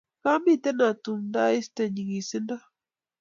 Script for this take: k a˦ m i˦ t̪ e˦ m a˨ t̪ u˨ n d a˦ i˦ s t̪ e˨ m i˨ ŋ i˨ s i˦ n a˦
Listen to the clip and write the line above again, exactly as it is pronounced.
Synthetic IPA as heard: k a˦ m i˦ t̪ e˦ n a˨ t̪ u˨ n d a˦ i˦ s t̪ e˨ ɲ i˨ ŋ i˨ s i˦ n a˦